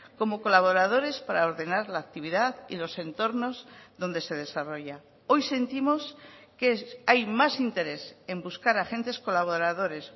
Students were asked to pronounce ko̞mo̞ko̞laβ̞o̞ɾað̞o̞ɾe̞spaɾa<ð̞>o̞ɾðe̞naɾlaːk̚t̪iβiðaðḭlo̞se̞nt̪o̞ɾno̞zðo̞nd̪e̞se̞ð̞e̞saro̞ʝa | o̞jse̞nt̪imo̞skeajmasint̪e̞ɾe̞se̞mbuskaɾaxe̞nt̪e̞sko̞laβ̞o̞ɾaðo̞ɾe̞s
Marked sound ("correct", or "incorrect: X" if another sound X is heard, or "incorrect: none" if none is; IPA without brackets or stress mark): incorrect: none